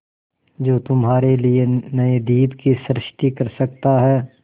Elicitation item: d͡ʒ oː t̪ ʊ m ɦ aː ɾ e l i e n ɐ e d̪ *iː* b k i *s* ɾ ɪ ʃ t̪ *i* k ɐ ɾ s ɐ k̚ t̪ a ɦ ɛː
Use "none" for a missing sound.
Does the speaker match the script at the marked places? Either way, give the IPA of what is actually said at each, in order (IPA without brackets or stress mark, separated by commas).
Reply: iː, s, i